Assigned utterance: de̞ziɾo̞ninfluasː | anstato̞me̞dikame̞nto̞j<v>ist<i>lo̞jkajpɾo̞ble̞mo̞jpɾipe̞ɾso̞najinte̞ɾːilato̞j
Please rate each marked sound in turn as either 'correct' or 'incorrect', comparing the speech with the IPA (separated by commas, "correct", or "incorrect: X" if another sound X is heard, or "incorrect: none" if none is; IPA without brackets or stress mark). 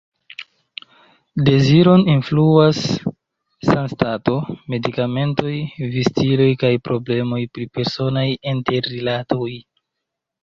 correct, correct